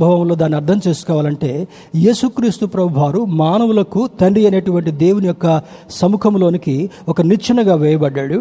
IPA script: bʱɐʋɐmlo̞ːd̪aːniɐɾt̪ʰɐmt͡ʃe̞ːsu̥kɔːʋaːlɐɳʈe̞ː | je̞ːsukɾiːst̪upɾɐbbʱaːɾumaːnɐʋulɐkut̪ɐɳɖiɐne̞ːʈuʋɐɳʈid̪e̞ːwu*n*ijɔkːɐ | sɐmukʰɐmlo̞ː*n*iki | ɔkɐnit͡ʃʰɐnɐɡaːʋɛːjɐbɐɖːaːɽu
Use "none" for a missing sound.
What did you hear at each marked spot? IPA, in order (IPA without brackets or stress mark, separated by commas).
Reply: n, n